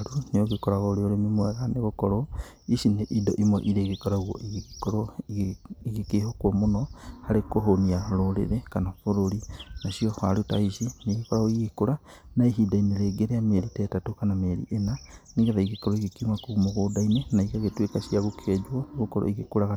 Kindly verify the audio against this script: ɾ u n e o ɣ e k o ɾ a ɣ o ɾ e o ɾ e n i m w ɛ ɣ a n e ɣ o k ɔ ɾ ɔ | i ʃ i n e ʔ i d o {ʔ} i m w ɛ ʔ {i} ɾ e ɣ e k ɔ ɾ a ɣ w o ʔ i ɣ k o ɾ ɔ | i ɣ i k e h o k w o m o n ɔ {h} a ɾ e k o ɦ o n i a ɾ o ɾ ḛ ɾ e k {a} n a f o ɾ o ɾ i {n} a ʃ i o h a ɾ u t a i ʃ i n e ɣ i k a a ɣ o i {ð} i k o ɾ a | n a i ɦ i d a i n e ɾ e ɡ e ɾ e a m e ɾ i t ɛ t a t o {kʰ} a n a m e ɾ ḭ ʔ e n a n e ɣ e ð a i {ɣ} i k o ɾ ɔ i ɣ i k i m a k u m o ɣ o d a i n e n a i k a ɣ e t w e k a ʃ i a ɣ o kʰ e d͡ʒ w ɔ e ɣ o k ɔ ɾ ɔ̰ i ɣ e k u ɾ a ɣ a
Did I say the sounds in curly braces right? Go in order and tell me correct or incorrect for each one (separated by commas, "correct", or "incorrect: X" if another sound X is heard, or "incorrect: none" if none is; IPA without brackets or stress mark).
correct, correct, correct, correct, correct, incorrect: ɣ, incorrect: k, correct